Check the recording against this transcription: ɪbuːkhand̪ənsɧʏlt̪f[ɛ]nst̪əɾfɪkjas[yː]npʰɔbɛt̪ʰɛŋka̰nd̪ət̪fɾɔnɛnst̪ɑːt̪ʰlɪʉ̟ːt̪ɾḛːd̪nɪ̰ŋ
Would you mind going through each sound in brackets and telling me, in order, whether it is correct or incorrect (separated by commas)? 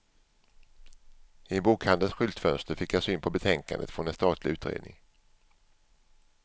incorrect, correct